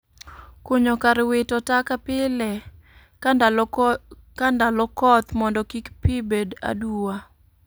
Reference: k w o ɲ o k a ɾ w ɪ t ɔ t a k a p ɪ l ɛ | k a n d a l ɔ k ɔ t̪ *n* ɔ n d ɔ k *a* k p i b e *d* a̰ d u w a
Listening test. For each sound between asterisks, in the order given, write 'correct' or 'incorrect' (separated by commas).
incorrect, incorrect, correct